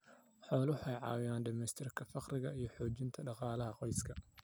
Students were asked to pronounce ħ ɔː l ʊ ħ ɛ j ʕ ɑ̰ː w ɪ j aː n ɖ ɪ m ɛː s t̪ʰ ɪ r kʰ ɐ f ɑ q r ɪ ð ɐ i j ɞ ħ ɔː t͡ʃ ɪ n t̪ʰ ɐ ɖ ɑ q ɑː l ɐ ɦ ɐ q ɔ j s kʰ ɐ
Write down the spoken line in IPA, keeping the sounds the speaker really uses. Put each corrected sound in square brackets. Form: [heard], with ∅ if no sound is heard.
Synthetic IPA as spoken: ħ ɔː l ʊ ħ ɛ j ʕ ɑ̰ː w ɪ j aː n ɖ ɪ m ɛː s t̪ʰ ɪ r kʰ ɐ f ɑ q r ɪ [ɣ] ɐ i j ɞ ħ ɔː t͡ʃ ɪ n t̪ʰ ɐ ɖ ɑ q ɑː l ɐ ɦ ɐ q ɔ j s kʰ ɐ